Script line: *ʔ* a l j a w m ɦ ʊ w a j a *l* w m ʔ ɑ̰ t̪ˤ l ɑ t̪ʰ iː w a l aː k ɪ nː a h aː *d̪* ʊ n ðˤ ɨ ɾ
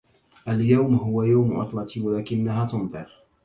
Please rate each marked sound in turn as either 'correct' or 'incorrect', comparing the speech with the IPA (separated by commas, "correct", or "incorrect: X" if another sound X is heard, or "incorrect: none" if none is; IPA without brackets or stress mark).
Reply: correct, incorrect: none, incorrect: t̪